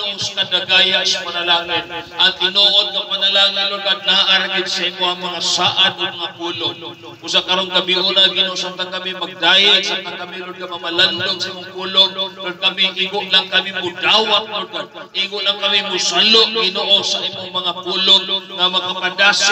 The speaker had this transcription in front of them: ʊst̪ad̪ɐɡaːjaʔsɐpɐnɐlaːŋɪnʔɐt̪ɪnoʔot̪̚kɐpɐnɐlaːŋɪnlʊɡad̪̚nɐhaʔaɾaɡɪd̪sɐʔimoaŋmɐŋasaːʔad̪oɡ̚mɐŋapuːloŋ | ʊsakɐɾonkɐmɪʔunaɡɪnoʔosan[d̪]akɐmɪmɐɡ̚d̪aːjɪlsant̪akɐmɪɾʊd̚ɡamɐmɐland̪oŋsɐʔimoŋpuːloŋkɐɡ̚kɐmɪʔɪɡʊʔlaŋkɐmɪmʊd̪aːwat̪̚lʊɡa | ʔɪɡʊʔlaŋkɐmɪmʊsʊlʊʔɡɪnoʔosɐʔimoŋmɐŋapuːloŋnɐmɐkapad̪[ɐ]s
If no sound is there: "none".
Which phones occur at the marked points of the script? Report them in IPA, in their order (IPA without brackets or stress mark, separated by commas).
t̪, a